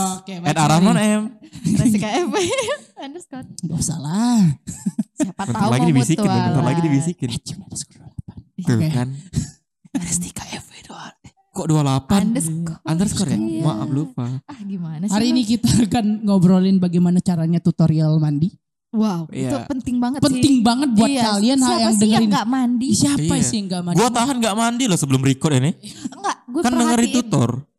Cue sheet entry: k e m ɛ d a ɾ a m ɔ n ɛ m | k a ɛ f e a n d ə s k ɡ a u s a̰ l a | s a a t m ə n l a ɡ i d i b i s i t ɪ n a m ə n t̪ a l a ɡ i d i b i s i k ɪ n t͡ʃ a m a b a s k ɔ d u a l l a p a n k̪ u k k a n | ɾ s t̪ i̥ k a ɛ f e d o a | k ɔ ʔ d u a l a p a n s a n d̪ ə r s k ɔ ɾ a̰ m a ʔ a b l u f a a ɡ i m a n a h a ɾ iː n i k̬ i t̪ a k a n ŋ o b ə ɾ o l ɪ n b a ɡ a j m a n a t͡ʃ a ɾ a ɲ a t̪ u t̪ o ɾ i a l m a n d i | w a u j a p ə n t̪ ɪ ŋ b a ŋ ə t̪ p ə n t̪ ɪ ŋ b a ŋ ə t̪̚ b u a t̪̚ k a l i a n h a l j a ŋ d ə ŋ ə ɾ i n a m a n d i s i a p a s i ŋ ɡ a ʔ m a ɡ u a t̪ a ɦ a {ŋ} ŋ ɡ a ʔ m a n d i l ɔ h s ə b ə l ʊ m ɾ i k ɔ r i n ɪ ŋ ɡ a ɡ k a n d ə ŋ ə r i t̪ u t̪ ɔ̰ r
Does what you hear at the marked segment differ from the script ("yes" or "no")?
yes